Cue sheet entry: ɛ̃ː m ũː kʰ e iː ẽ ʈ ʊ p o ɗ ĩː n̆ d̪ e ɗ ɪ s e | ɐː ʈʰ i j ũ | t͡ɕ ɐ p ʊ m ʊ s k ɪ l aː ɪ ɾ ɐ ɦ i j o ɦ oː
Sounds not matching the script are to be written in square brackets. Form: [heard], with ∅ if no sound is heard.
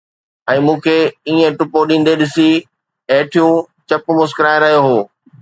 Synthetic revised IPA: ɛ̃ː m ũː kʰ e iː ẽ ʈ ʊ p o ɗ ĩː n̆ d̪ e ɗ ɪ s [i] | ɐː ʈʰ i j ũ | t͡ɕ ɐ p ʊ m ʊ s k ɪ [ɾ] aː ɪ ɾ ɐ ɦ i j o ɦ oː